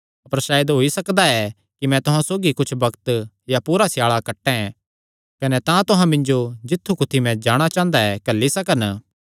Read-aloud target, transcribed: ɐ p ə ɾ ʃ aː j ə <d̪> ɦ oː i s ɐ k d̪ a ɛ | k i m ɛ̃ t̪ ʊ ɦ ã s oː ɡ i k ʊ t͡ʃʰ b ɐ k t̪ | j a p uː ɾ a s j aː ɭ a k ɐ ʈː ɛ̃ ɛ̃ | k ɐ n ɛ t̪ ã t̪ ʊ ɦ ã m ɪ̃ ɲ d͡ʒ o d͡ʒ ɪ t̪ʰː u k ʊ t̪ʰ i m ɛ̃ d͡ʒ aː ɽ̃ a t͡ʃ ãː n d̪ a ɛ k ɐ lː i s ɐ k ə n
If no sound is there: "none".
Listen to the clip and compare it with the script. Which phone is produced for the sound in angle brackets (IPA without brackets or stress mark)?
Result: d̪